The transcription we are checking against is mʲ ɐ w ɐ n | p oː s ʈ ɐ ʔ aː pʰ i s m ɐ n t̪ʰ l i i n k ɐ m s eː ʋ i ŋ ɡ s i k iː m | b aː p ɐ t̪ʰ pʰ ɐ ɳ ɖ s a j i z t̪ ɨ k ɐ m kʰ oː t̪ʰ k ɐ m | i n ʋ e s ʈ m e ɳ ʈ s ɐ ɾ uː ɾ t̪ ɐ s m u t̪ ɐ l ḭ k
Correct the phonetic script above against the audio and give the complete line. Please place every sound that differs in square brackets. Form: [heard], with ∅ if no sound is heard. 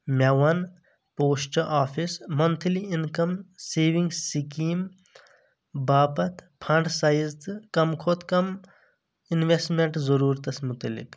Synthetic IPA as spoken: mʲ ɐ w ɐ n | p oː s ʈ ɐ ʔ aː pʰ i s m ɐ n t̪ʰ l i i n k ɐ m s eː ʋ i ŋ ɡ s i k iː m | b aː p ɐ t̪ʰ pʰ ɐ ɳ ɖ s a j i z t̪ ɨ k ɐ m kʰ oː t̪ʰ k ɐ m | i n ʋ e s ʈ m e ɳ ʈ [z] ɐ ɾ uː ɾ t̪ ɐ s m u t̪ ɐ l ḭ k